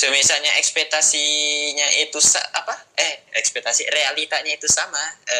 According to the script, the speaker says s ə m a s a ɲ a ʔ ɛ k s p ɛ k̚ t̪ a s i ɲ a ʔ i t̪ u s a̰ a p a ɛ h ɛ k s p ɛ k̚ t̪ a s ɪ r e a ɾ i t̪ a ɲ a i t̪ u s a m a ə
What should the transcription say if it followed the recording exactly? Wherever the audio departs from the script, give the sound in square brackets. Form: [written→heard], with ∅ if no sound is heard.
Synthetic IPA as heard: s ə m [a→i] s a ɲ a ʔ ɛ k s p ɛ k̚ t̪ a s i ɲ a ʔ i t̪ u s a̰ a p a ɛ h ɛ k s p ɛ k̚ t̪ a s [ɪ→i] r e a [ɾ→l] i t̪ a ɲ a i t̪ u s a m a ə